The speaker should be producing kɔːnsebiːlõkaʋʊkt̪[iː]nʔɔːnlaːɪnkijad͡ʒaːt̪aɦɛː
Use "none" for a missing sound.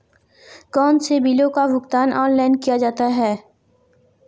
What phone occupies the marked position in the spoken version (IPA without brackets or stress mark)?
aː